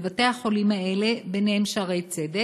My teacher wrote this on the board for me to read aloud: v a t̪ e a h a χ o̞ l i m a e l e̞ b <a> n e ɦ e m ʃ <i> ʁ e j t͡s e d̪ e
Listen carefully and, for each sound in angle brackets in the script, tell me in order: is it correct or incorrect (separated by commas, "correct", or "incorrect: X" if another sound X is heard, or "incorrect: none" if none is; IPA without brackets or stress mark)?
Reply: incorrect: e, incorrect: a